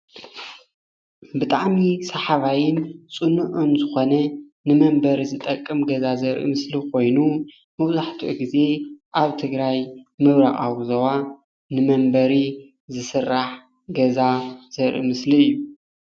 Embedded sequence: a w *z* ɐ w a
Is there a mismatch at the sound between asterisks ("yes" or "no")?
no